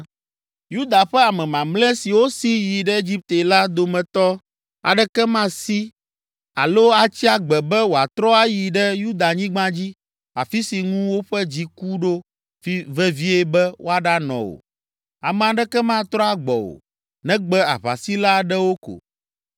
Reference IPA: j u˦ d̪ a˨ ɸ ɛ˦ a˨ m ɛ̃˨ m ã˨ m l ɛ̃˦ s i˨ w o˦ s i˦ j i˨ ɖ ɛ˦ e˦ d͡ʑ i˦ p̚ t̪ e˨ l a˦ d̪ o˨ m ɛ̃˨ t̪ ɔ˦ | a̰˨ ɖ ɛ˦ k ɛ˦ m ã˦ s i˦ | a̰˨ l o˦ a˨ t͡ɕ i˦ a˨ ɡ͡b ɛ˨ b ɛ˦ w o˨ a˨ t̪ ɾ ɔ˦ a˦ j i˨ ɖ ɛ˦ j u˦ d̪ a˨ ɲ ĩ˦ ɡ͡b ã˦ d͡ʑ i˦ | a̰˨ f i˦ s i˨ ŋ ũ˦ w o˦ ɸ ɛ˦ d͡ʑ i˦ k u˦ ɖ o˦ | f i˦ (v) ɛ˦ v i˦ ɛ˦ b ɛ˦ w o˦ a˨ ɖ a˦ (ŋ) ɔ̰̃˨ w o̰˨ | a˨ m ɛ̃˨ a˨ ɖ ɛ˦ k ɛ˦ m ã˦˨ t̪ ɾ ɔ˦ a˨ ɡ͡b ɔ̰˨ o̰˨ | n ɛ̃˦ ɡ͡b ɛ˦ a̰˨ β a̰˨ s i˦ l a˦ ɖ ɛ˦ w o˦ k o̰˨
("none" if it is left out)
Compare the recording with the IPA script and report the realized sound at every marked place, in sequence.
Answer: v, n

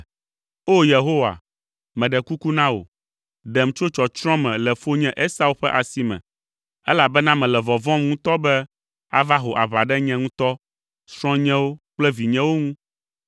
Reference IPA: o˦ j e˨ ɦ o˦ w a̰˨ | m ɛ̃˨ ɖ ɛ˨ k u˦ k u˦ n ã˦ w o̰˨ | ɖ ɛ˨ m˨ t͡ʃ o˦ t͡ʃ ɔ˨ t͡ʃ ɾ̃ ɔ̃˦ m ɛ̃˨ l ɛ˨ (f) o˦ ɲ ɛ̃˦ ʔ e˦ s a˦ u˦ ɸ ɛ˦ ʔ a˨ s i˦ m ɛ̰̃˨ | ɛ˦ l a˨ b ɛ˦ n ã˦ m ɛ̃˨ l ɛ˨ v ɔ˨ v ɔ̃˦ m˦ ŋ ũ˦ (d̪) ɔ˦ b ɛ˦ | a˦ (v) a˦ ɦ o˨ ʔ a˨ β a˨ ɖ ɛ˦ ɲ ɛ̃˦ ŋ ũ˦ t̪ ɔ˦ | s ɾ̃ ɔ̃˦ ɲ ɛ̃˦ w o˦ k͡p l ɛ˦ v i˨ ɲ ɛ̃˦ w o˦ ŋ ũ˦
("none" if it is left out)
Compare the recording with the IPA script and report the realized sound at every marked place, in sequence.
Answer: f, t̪, v

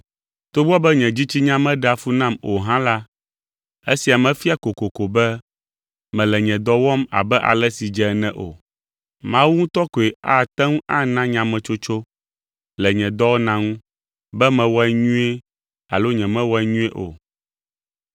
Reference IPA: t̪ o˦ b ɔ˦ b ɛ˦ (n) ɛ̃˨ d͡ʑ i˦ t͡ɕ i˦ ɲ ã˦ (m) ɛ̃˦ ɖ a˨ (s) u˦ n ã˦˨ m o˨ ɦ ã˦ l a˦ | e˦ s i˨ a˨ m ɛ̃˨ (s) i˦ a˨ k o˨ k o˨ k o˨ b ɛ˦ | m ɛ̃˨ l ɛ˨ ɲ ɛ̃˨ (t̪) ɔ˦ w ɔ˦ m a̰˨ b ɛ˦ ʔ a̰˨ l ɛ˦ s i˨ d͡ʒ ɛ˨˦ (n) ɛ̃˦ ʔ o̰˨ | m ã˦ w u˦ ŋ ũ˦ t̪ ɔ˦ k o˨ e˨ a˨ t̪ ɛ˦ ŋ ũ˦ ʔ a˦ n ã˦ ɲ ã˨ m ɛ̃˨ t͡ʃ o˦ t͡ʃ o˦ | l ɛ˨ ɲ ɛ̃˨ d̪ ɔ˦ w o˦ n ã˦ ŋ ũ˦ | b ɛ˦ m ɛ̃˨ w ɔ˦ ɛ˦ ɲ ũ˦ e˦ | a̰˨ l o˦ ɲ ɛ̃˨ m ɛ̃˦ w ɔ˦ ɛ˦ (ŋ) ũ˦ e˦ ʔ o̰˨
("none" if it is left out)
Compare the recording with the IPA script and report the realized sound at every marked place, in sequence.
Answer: ɲ, m, f, f, d̪, n, ɲ

